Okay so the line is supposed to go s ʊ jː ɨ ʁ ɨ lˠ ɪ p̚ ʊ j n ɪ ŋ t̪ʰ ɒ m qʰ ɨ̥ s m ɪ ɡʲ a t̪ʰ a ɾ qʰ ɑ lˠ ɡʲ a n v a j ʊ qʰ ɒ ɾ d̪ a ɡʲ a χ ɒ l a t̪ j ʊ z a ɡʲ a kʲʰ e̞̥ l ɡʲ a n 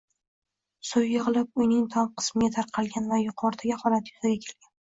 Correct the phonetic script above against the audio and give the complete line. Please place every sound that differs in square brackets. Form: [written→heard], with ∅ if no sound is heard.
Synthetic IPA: s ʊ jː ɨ ʁ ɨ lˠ ɪ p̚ ʊ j n ɪ ŋ t̪ʰ ɒ m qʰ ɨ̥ s m ɪ ɡʲ a t̪ʰ a ɾ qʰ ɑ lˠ ɡʲ a n v a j ʊ qʰ ɒ ɾ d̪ a ɡʲ a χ ɒ l a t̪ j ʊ z a ɡʲ a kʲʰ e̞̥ l ɡʲ a n